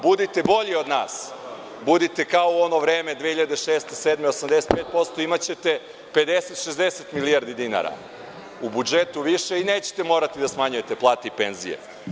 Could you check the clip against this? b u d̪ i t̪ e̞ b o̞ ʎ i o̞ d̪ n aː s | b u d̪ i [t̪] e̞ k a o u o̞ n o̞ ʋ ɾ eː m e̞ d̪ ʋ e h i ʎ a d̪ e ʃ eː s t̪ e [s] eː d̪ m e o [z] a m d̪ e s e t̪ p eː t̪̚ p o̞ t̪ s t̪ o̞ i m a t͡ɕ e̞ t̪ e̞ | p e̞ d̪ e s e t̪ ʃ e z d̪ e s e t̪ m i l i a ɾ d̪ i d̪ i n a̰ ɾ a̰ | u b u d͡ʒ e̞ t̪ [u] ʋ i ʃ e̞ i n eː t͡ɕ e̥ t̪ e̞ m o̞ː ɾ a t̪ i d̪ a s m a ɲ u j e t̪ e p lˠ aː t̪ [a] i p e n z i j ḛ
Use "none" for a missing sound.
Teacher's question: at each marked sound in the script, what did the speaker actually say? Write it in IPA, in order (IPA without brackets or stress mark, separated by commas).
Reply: t̪, s, s, u, e